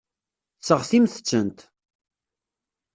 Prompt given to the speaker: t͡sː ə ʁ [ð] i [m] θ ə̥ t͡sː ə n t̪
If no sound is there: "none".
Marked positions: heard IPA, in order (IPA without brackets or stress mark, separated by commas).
θ, m